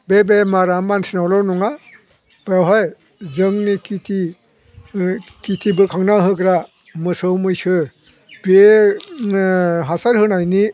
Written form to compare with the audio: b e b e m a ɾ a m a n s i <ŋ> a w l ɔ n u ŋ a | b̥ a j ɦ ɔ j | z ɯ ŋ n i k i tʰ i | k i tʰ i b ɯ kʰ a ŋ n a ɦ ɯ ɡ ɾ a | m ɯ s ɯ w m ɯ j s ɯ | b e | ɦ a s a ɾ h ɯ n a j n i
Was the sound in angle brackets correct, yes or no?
no